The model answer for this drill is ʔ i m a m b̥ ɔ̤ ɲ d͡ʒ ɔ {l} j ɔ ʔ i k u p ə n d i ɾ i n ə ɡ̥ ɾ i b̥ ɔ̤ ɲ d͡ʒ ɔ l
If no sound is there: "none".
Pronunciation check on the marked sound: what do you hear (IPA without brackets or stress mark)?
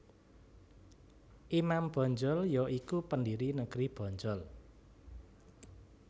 l